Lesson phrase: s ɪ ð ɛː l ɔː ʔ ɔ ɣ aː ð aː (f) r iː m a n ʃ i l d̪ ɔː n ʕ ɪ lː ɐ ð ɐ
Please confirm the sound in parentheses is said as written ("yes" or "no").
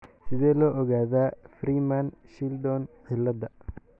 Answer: yes